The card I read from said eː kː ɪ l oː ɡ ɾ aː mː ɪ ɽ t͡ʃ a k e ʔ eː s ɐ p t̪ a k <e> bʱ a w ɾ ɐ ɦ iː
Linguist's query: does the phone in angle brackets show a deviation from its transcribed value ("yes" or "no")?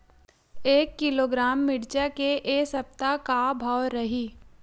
yes